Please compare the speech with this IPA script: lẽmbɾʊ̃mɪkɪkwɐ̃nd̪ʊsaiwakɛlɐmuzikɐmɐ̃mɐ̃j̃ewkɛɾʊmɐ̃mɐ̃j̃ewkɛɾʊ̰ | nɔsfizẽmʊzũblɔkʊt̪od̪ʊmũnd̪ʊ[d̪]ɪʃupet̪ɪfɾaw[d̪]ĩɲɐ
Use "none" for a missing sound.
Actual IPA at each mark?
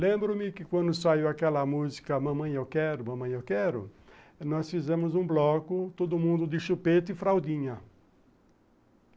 d̪, d̪

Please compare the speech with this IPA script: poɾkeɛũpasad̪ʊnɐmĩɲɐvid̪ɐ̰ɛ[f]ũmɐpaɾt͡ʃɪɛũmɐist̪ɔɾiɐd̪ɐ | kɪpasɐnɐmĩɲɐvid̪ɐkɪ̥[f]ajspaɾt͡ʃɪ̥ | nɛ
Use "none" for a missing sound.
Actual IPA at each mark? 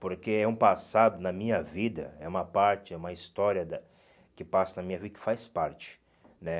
none, f

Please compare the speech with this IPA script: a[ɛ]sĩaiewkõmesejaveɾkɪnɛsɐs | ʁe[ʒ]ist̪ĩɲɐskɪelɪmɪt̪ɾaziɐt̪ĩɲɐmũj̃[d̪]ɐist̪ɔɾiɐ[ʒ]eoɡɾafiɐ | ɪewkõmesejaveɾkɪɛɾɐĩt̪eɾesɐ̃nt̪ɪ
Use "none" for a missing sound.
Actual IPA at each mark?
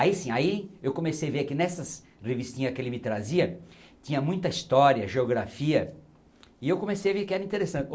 i, v, t̪, ʒ

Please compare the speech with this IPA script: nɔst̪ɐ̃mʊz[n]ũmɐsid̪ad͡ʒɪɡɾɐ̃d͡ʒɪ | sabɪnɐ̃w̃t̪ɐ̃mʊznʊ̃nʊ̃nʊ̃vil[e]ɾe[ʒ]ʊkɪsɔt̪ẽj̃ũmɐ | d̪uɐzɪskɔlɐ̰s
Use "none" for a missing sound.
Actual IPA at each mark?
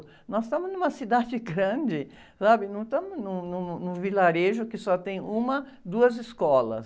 n, a, ʒ

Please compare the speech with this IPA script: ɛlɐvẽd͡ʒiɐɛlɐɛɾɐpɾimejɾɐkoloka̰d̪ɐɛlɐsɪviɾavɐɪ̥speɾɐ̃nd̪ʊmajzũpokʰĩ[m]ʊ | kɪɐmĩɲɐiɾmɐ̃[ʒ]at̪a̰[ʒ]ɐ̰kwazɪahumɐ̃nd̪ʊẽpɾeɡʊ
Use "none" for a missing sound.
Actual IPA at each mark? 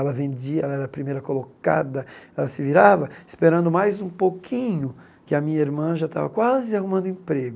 ɲ, ʒ, v

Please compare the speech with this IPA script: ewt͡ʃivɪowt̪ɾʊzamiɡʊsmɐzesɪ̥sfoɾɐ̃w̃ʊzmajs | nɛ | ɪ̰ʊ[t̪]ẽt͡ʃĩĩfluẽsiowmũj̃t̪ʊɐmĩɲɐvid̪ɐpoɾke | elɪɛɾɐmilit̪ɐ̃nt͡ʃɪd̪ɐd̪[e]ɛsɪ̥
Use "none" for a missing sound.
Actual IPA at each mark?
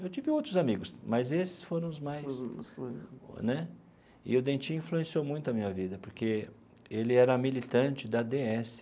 d̪, e

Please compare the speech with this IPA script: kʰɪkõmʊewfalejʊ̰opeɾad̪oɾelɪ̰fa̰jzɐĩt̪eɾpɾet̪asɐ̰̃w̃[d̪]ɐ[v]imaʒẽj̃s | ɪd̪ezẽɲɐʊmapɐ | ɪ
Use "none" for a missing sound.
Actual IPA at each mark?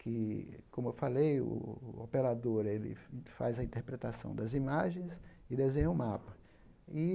d̪, z

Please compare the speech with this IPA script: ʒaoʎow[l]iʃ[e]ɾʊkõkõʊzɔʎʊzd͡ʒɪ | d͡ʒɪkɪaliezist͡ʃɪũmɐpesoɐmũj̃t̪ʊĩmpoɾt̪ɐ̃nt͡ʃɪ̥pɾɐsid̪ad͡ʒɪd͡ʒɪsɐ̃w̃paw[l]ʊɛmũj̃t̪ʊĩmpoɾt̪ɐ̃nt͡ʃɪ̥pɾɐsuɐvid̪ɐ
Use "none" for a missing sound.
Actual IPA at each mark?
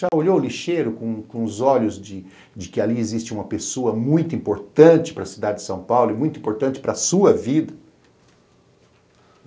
l, e, l

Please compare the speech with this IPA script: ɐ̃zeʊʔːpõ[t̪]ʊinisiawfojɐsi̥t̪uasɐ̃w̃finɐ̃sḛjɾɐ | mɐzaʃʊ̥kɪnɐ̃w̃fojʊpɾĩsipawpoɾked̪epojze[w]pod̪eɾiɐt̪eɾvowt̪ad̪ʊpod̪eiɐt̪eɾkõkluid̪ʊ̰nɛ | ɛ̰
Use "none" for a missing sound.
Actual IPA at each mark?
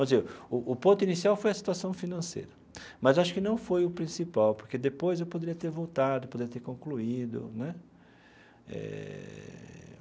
t̪, w

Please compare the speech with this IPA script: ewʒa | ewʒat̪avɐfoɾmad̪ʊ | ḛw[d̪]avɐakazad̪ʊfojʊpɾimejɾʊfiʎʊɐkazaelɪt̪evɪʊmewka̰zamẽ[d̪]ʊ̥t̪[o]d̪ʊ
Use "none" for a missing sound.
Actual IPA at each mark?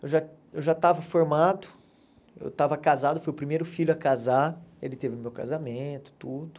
t̪, t̪, u

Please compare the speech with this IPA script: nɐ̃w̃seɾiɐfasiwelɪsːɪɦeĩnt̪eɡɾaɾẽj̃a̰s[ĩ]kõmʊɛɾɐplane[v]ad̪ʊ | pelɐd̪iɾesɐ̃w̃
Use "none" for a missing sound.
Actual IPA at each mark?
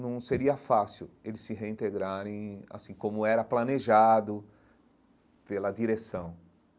ĩ, ʒ

